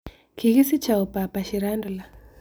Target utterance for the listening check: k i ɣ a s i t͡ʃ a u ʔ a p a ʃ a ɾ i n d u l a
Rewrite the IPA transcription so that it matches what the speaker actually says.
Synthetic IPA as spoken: k i ɣ i s i t͡ʃ a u p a p a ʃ i ɾ a n d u l a